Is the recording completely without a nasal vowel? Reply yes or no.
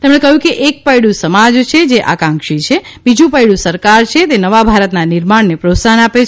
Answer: no